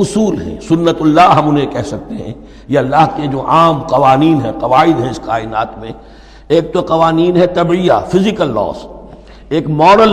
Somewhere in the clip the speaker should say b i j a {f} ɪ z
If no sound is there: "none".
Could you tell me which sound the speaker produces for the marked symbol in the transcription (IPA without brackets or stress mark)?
f